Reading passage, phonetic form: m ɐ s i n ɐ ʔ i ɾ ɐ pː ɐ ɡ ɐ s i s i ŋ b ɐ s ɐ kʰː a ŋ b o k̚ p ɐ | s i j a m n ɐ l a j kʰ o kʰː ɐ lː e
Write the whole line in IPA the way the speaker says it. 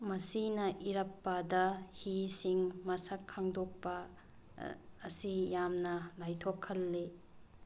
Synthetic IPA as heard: m ɐ s i n ɐ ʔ i ɾ ɐ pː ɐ d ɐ h i s i ŋ m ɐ s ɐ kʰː a ŋ d o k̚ p ɐ | s i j a m n ɐ l a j tʰ o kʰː ɐ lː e